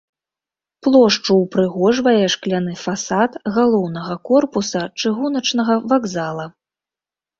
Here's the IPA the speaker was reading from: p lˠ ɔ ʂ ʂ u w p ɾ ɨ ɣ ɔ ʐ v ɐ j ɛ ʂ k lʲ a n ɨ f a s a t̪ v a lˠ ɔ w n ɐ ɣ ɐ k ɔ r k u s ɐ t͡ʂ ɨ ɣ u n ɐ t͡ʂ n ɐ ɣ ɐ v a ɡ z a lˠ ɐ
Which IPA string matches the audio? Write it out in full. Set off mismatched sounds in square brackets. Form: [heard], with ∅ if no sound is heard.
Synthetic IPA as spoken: p lˠ ɔ ʂ [t͡ʂ] u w p ɾ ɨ ɣ ɔ ʐ v ɐ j ɛ ʂ k lʲ a n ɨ f a s a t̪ [ɣ] a lˠ ɔ w n ɐ ɣ ɐ k ɔ r [p] u s ɐ t͡ʂ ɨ ɣ u n ɐ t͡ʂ n ɐ ɣ ɐ v a ɡ z a lˠ ɐ